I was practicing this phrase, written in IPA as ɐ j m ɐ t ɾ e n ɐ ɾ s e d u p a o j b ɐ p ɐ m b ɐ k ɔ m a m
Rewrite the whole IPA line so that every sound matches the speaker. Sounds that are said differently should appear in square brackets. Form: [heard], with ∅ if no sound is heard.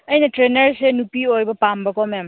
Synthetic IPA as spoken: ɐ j [n] ɐ t ɾ e n ɐ ɾ s e [n] u p [i] o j b ɐ p [a] m b ɐ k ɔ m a m